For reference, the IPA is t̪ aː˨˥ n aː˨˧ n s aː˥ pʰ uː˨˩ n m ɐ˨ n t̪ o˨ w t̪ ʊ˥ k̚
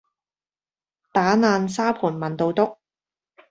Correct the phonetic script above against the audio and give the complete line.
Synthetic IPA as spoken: t̪ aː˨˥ n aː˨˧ n s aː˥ pʰ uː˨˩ n m ɐ˨ n t̪ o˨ w t̪ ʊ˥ k̚

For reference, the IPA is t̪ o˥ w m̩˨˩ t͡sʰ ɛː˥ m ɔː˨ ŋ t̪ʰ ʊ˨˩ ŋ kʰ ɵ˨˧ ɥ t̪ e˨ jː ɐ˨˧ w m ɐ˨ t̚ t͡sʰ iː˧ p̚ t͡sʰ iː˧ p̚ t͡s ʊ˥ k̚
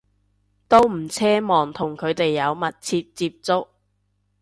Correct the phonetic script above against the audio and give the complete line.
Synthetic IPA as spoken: t̪ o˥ w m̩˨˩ t͡sʰ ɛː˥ m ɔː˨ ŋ t̪ʰ ʊ˨˩ ŋ kʰ ɵ˨˧ ɥ t̪ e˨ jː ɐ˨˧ w m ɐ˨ t̚ t͡sʰ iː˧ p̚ t͡s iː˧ p̚ t͡s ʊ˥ k̚

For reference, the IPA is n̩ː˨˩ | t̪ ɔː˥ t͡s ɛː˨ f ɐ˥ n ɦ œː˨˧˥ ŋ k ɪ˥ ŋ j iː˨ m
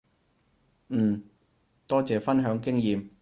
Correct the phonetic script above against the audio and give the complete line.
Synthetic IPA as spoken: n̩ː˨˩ | t̪ ɔː˥ t͡s ɛː˨ f ɐ˥ n ɦ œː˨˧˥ ŋ k ɪ˥ ŋ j iː˨ m

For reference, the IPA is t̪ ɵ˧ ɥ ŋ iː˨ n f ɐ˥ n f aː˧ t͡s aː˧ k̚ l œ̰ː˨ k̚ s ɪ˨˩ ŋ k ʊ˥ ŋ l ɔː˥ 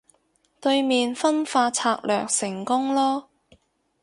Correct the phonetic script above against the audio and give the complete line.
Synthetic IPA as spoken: t̪ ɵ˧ ɥ m iː˨ n f ɐ˥ n f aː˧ t͡sʰ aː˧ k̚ l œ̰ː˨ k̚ s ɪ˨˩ ŋ k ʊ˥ ŋ l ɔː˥

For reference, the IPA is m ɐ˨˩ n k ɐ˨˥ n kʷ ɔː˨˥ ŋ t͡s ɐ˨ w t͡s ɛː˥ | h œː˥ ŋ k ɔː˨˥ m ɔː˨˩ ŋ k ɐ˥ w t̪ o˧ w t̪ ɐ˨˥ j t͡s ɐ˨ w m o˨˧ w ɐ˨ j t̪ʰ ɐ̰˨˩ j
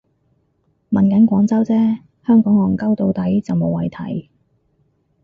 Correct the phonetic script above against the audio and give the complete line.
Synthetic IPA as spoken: m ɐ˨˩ n k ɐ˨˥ n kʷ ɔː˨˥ ŋ t͡s ɐ˥ w t͡s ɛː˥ | h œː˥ ŋ k ɔː˨˥ ŋ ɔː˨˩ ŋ k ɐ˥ w t̪ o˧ w t̪ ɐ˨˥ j t͡s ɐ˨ w m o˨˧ w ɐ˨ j t̪ʰ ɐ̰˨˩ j

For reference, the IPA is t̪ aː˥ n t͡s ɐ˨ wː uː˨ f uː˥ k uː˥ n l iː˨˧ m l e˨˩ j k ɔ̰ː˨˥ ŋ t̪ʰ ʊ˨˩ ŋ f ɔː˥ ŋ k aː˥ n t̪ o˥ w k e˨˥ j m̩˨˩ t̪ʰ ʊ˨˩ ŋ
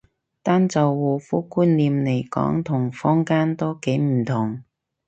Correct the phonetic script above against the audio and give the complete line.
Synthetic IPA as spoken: t̪ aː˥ n t͡s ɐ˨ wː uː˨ f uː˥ k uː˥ n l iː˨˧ m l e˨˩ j k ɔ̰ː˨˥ ŋ t̪ʰ ʊ˨˩ ŋ f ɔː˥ ŋ k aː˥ n t̪ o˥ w k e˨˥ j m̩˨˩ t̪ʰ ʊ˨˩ ŋ

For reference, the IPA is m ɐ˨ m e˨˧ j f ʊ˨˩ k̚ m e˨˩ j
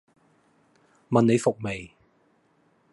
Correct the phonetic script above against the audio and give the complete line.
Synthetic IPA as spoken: m ɐ˨ n e˨˧ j f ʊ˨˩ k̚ m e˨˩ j

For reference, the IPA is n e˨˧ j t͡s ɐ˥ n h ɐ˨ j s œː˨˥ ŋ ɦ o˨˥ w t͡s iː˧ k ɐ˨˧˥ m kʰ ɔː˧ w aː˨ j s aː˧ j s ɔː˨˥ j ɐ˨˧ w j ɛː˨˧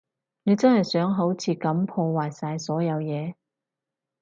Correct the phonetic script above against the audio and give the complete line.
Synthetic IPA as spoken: n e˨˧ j t͡s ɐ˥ n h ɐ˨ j s œː˨˥ ŋ ɦ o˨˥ w t͡sʰ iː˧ k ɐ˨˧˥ m pʰ ɔː˧ w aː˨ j s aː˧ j s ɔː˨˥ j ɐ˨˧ w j ɛː˨˧

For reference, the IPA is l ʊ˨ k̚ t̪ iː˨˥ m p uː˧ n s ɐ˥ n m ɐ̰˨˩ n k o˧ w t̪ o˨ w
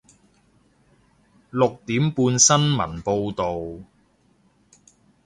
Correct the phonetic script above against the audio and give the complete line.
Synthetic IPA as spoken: l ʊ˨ k̚ t̪ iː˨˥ m p uː˧ n s ɐ˥ n m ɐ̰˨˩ n p o˧ w t̪ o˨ w

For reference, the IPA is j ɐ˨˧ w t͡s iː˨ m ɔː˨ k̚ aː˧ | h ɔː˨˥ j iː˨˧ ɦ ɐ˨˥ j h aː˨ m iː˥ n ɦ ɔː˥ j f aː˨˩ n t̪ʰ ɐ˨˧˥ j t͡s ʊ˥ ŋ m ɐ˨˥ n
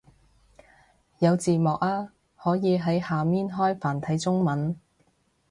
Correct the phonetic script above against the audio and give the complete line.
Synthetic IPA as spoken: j ɐ˨˧ w t͡s iː˨ m ɔː˨ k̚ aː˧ | h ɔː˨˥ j iː˨˧ ɦ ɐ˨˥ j h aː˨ m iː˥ n ɦ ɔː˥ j f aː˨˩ n t̪ʰ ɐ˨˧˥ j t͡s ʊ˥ ŋ m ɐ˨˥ n

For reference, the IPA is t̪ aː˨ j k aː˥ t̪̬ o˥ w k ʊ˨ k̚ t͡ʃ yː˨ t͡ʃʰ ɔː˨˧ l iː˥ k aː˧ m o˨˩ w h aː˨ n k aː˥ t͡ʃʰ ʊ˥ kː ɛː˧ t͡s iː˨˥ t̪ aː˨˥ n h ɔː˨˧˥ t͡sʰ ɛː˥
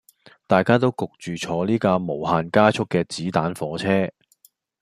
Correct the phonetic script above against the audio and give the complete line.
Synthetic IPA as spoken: t̪ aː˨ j k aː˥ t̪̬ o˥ w k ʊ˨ k̚ t͡ʃ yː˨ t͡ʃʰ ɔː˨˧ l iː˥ k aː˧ m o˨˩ w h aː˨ n k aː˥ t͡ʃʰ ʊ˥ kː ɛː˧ t͡s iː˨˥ t̪ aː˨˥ n f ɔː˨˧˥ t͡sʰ ɛː˥

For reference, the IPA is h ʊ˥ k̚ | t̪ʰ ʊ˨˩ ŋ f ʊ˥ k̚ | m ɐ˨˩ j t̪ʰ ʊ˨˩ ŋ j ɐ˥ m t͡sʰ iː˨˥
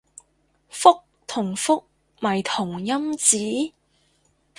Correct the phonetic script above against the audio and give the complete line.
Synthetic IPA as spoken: f ʊ˥ k̚ | t̪ʰ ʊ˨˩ ŋ f ʊ˥ k̚ | m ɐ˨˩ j t̪ʰ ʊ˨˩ ŋ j ɐ˥ m t͡s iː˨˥

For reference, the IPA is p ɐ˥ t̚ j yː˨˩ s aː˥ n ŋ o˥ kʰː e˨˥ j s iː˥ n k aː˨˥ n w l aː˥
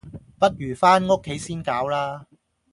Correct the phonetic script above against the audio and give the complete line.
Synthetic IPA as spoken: p ɐ˥ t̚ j yː˨˩ f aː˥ n ŋ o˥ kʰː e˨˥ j s iː˥ n k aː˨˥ w l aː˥

